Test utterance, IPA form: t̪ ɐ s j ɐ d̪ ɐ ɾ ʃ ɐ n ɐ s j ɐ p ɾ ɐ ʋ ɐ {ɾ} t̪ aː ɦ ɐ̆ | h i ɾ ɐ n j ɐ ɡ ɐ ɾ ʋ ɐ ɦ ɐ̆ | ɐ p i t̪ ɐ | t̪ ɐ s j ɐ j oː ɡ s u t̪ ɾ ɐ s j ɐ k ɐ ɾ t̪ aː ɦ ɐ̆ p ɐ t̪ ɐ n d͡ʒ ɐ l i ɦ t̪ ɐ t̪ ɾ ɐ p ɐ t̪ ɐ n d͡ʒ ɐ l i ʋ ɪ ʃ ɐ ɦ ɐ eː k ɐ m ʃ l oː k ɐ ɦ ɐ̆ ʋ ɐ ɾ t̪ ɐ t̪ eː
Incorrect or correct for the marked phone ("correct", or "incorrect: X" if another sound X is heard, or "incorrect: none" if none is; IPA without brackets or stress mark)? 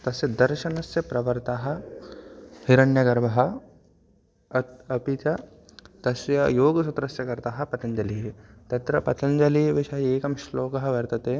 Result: correct